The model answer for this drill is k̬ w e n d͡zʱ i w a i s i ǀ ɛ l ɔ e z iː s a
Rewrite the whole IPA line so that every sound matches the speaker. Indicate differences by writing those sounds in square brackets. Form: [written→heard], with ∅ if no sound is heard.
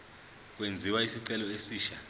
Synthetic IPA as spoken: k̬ w e n d͡zʱ i w a i s i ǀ ɛ l ɔ e [z→s] iː [s→ʃ] a